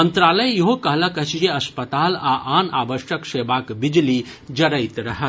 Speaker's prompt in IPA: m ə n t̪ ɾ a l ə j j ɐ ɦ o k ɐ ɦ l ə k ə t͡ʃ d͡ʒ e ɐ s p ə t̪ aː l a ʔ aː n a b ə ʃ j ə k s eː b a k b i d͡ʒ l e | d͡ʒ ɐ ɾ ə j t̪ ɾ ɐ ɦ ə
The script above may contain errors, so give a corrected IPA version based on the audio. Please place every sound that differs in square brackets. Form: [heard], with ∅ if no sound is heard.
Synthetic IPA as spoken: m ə n t̪ ɾ a l ə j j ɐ ɦ o k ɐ ɦ l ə k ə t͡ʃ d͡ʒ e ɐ s p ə t̪ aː l a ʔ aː n a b ə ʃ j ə k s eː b a k b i d͡ʒ l [i] | d͡ʒ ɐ ɾ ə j t̪ ɾ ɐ ɦ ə